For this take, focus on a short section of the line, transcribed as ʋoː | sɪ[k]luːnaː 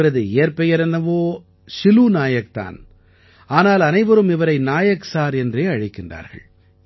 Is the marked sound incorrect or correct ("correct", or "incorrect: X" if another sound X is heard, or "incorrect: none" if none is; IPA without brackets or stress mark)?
incorrect: none